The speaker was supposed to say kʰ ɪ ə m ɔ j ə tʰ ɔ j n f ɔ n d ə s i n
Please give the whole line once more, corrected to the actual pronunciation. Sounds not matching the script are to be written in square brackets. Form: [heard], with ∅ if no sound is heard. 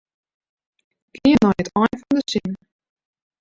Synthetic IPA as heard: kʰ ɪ ə [n] ɔ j ə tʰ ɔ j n f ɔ n d ə s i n